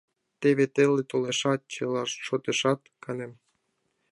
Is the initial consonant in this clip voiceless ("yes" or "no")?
yes